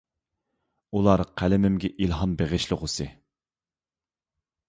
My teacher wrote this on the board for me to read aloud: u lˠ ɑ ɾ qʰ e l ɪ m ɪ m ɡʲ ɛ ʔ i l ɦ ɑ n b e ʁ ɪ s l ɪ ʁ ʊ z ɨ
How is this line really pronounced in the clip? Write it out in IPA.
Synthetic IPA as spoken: u lˠ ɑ ɾ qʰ æ l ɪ m ɪ m ɡʲ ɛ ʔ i l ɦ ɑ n b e ʁ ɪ ʃ l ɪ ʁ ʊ s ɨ